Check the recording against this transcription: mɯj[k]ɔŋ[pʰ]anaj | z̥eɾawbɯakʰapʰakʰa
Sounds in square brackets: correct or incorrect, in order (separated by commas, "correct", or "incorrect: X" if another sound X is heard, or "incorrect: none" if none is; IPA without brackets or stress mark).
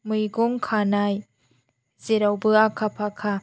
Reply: incorrect: ɡ, incorrect: kʰ